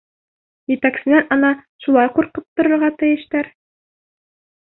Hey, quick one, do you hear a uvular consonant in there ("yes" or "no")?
yes